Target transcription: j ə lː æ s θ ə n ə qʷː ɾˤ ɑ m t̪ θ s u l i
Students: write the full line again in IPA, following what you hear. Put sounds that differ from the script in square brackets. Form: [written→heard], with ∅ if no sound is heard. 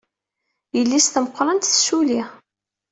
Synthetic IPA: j ə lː [æ→i] s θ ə [n→m] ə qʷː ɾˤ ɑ [m→n] t̪ θ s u l i